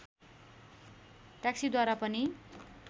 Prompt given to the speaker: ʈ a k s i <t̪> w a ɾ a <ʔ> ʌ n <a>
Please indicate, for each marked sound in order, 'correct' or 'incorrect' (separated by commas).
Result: incorrect, incorrect, incorrect